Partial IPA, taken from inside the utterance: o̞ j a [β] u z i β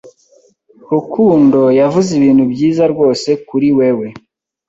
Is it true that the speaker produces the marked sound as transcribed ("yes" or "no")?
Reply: no